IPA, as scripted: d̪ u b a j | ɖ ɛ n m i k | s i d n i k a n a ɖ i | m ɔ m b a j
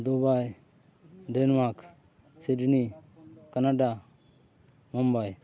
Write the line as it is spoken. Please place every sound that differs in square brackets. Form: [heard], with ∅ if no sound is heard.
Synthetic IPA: d̪ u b a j | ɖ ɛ n m [a] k | s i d n i k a n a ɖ [a] | m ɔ m b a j